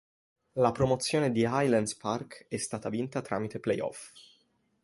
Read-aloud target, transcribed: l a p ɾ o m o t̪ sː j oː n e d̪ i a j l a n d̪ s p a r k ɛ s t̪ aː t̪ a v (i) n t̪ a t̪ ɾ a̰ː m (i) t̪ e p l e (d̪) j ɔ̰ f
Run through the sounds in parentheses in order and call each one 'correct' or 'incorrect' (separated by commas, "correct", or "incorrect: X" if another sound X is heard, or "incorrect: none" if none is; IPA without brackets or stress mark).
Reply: correct, correct, incorrect: none